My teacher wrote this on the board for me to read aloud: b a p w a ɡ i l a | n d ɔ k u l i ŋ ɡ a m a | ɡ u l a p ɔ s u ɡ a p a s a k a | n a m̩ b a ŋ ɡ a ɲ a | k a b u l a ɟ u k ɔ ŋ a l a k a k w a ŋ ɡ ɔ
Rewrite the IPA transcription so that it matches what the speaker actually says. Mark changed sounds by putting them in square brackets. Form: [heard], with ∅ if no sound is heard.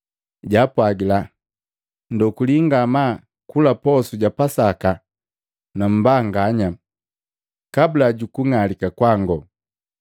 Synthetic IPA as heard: [ɟ] a p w a ɡ i l a | n d ɔ k u l i ŋ ɡ a m a | [k] u l a p ɔ s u [ɟ] a p a s a k a | n a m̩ b a ŋ ɡ a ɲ a | k a b u l a ɟ u k [u] ŋ a l [i] k a k w a ŋ ɡ ɔ